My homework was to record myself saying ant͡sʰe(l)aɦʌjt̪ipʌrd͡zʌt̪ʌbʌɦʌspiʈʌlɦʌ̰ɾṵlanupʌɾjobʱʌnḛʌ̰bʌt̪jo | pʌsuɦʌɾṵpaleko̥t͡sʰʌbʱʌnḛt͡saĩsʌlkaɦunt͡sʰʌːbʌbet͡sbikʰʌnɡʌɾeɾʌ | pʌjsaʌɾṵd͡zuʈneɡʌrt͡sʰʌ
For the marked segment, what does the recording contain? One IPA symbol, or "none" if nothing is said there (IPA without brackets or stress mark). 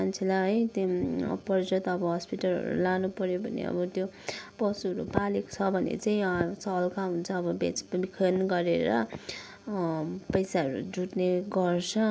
l